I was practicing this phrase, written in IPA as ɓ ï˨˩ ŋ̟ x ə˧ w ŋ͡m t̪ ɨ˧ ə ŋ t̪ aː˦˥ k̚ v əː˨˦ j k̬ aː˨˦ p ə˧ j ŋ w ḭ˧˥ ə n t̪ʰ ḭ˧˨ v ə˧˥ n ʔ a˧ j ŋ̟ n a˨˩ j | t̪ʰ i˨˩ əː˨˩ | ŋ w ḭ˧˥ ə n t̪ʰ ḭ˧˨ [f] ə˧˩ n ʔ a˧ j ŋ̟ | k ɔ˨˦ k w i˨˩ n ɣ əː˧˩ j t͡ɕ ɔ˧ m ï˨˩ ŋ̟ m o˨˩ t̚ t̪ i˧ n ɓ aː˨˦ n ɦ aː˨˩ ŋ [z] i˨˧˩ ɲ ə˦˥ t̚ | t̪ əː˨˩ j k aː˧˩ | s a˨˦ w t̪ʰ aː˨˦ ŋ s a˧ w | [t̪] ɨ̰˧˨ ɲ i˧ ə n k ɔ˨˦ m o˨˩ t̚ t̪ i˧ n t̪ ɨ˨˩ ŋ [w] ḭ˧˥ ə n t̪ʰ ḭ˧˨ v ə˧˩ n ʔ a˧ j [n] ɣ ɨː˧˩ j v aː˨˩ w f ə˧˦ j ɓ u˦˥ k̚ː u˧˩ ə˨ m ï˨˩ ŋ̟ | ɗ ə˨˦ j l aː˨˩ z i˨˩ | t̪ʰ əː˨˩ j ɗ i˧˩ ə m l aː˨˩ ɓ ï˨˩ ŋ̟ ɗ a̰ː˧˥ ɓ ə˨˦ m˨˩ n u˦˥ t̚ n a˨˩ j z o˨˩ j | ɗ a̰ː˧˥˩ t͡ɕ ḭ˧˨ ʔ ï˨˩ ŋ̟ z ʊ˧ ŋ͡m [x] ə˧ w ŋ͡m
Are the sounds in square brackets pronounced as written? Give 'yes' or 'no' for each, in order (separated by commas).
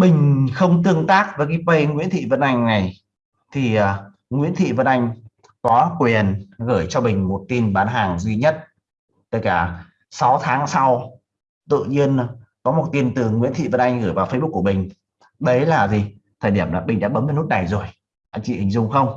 no, yes, yes, yes, no, yes